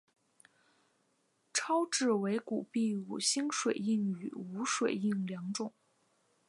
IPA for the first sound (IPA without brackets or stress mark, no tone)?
ʈ͡ʂʰ